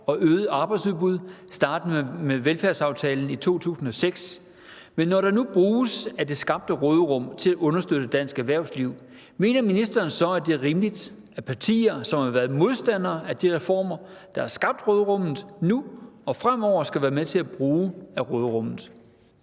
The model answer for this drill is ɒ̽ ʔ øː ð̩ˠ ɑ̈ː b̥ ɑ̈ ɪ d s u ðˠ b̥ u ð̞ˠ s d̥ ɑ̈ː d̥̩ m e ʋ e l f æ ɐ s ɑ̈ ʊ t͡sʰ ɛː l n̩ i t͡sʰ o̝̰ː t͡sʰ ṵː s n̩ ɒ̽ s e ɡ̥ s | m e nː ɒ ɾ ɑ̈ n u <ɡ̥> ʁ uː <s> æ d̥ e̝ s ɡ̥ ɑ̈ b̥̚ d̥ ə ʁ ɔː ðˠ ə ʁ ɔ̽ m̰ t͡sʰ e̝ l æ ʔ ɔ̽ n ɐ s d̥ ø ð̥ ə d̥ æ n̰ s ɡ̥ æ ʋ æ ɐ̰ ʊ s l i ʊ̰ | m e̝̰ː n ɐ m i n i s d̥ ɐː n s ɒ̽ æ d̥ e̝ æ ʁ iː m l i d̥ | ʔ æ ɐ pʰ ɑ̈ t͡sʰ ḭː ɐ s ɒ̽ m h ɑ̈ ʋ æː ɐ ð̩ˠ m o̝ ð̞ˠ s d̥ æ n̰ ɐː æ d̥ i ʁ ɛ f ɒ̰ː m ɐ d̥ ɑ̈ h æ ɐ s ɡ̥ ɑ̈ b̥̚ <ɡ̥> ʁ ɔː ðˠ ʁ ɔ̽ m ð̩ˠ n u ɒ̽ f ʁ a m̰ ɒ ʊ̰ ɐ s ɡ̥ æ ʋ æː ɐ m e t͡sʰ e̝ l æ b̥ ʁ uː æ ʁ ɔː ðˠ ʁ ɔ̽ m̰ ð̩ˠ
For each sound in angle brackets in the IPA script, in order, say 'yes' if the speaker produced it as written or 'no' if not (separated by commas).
no, yes, no